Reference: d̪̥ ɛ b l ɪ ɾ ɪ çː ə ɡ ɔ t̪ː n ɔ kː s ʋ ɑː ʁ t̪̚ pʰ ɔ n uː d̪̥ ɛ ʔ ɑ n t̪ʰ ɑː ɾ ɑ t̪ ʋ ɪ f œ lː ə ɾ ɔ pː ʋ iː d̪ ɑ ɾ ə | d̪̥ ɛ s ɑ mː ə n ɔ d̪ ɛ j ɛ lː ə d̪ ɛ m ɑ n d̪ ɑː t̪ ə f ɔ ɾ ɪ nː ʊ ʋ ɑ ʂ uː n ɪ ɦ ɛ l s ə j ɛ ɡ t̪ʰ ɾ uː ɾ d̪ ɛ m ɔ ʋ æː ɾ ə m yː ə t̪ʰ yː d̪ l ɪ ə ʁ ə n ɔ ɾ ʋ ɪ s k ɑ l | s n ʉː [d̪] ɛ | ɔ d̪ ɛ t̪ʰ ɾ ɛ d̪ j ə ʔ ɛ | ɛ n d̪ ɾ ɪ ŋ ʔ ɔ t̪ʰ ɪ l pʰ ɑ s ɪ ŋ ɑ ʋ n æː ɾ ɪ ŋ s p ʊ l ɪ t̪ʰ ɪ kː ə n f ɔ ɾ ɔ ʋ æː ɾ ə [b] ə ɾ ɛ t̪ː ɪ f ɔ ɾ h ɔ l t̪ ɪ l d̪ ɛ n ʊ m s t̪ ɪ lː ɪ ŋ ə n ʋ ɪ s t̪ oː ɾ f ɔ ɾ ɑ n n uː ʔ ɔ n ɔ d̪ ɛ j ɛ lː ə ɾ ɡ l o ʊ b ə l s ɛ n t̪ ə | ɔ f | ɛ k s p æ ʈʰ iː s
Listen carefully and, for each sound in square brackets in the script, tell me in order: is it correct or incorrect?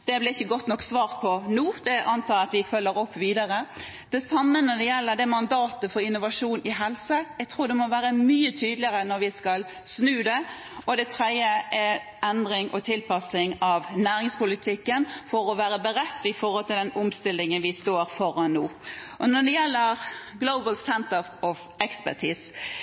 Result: correct, correct

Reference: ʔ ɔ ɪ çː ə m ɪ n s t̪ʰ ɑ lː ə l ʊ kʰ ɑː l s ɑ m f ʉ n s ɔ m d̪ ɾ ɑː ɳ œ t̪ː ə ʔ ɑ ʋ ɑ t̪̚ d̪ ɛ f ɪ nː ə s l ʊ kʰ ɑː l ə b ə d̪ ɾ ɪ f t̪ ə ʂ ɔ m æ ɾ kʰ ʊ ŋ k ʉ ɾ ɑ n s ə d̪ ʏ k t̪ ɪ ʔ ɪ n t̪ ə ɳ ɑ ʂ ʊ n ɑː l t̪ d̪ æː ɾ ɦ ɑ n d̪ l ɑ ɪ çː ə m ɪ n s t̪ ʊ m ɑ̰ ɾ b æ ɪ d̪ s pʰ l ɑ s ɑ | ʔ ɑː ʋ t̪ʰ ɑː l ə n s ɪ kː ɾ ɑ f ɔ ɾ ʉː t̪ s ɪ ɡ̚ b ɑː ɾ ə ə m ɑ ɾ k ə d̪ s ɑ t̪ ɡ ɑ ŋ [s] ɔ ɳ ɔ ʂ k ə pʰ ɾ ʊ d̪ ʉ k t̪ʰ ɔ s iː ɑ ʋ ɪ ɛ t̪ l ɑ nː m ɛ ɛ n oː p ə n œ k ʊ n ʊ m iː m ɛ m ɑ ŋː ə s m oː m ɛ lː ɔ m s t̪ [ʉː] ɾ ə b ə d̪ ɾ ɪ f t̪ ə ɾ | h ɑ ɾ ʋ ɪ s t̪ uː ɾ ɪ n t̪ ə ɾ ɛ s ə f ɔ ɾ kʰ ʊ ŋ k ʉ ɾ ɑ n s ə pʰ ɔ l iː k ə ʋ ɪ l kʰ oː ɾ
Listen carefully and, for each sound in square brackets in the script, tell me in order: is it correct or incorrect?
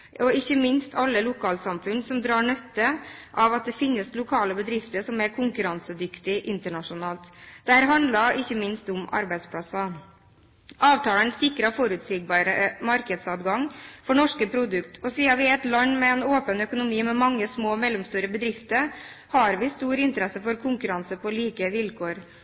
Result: incorrect, correct

